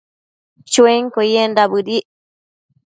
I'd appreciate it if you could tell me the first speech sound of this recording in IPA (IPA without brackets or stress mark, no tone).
t͡ʃ